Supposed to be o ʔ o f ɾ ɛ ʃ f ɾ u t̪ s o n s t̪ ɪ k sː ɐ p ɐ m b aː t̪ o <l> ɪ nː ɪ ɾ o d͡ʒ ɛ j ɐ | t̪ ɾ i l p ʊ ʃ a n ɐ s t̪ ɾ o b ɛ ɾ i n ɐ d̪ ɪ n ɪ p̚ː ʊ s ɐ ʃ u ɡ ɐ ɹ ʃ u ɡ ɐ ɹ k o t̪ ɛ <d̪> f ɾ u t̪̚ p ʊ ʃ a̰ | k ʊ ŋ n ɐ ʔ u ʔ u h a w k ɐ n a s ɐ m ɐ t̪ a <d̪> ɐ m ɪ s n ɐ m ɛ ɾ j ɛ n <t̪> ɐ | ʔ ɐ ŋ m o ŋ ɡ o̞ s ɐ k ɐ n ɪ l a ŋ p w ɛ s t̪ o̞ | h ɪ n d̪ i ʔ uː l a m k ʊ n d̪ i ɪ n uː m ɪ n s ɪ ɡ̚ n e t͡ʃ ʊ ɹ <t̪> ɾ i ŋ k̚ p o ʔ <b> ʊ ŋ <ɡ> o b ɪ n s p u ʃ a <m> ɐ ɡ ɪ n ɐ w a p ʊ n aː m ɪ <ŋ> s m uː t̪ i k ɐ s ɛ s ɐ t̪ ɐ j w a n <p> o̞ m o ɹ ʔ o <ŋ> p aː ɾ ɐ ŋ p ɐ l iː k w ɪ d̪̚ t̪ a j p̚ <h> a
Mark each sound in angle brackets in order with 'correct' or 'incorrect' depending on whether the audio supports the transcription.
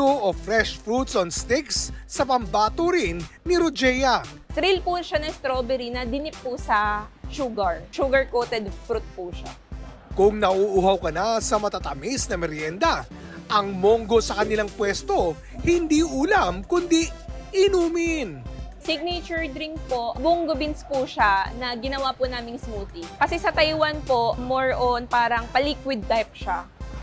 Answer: incorrect: ɾ, correct, incorrect: t̪, incorrect: d̪, incorrect: d̪, correct, correct, incorrect: n, correct, correct, incorrect: n, incorrect: ʃ

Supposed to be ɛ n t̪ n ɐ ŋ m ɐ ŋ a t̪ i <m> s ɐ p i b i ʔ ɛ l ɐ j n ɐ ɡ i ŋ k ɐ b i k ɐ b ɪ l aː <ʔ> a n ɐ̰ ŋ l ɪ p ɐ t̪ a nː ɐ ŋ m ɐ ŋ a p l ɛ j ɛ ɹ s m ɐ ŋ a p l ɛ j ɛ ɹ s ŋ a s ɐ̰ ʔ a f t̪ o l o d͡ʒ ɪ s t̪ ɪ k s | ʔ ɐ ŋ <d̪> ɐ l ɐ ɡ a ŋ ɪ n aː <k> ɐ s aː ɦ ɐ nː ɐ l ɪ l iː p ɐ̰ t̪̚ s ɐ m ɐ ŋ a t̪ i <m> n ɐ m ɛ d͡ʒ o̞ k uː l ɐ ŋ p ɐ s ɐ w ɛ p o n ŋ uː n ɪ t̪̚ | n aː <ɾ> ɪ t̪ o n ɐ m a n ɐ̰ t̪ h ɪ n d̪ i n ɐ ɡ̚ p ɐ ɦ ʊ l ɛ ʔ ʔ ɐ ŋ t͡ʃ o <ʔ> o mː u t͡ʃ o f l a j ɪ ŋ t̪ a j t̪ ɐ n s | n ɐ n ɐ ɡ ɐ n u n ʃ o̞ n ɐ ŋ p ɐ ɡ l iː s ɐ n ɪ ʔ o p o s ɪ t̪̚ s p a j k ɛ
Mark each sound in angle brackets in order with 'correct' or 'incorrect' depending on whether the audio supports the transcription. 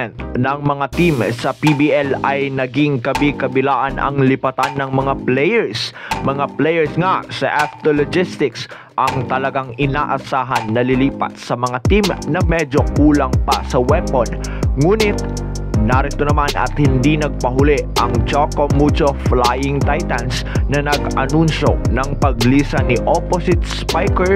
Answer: correct, correct, incorrect: t̪, incorrect: ʔ, correct, correct, incorrect: k

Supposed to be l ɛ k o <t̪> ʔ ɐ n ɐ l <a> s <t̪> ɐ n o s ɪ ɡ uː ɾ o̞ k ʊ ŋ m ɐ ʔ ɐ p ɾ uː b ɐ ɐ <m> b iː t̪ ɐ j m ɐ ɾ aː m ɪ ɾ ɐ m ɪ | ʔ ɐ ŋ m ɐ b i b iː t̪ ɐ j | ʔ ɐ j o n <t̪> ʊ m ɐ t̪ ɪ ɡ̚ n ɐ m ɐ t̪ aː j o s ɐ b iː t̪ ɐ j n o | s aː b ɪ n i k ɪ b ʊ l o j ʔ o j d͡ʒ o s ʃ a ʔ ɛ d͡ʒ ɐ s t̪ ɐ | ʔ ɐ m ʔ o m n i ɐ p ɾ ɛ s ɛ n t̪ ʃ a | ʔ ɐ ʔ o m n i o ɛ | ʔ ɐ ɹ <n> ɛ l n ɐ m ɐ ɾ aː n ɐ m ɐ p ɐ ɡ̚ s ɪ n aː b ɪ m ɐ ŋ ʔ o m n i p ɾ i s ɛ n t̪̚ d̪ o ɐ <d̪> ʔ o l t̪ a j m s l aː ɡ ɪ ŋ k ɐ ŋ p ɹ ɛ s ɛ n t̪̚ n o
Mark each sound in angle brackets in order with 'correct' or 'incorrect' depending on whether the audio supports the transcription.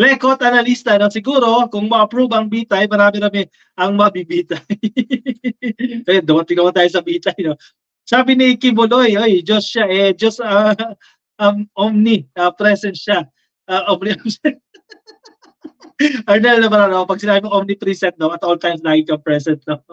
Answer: correct, incorrect: i, correct, incorrect: ŋ, incorrect: d̪, correct, incorrect: t̪

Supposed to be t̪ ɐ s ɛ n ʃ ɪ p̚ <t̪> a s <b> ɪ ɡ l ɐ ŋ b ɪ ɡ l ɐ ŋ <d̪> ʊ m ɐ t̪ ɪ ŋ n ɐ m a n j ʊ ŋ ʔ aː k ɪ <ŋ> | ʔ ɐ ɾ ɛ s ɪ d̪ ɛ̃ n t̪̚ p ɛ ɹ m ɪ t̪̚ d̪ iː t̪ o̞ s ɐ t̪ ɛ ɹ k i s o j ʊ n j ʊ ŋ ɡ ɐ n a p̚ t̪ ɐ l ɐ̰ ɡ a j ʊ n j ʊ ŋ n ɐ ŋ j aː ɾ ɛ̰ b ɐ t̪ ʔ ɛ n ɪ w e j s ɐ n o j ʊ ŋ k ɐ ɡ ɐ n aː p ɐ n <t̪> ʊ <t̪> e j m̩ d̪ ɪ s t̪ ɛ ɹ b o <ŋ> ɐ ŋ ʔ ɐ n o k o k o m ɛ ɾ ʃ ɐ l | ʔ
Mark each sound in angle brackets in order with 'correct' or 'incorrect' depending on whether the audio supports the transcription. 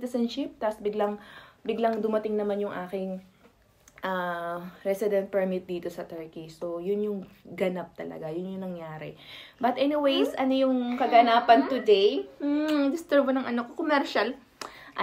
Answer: correct, correct, correct, correct, correct, incorrect: d̪, incorrect: n

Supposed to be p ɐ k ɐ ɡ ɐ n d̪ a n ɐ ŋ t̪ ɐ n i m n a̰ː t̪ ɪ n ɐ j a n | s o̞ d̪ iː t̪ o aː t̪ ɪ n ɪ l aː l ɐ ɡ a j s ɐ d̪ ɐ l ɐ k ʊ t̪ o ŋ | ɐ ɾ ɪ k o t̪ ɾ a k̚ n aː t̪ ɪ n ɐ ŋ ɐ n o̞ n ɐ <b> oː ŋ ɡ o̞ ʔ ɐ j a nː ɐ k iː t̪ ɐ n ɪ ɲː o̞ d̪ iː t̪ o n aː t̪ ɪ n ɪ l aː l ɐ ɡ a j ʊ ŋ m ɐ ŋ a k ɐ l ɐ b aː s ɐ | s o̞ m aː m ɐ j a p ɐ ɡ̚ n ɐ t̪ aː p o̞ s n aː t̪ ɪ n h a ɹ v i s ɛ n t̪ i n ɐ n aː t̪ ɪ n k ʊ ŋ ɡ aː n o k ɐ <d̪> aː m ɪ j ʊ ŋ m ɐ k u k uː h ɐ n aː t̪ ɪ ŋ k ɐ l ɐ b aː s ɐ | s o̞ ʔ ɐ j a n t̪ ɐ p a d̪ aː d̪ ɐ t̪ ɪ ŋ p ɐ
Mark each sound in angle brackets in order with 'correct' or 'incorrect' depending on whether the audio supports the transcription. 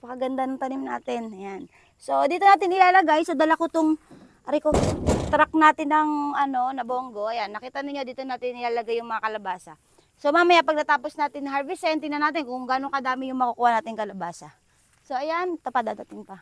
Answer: correct, correct

